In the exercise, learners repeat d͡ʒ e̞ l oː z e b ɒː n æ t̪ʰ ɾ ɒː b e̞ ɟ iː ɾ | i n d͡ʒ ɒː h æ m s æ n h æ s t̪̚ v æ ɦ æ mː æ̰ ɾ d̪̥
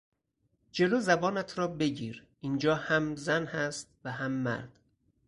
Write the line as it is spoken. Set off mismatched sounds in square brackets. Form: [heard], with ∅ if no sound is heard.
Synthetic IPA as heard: d͡ʒ e̞ l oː z [æ] b ɒː n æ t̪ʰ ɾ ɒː b e̞ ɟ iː ɾ | i n d͡ʒ ɒː h æ m [z] æ n h æ s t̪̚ v æ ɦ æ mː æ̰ ɾ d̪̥